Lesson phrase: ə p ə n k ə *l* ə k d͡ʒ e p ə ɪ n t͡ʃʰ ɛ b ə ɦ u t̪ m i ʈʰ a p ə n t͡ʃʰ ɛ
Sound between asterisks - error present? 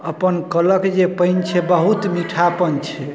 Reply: no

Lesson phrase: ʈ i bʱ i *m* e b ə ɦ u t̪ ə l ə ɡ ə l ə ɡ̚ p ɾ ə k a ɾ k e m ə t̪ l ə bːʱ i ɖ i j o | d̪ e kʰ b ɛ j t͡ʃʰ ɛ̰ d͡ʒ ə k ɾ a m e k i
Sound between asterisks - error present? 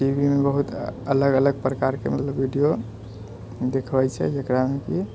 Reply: no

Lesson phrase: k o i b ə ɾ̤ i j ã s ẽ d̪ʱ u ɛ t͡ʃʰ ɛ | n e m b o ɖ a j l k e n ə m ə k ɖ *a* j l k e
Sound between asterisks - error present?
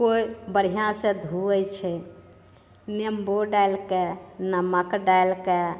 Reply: no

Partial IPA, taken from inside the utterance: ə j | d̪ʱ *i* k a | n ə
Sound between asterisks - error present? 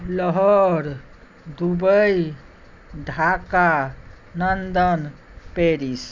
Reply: yes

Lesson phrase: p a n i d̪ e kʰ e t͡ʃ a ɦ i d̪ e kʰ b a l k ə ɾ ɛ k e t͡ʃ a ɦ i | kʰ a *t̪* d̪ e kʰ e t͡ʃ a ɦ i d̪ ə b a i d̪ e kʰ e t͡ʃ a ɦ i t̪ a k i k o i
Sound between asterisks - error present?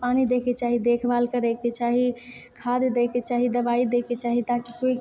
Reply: yes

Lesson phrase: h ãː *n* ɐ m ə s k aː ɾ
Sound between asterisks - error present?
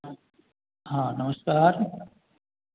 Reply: no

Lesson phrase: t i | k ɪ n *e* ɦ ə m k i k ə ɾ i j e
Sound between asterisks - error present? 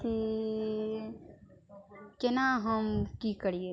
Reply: yes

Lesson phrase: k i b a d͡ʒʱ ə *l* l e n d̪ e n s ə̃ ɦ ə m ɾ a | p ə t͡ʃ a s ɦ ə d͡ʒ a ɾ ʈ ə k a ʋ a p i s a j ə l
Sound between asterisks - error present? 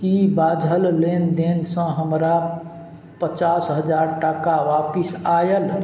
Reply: no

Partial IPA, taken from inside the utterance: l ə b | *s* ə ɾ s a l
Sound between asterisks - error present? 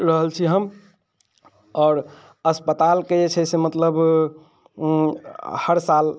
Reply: yes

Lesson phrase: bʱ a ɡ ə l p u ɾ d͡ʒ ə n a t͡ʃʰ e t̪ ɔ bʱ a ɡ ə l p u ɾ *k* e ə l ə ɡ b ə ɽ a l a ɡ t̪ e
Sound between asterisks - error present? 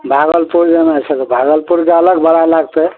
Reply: no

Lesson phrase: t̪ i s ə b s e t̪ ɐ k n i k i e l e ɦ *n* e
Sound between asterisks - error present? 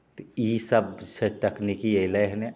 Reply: no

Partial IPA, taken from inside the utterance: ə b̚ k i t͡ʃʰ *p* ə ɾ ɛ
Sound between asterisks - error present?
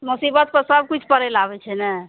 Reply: no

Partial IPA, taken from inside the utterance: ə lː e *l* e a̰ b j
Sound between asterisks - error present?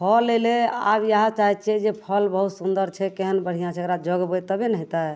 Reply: no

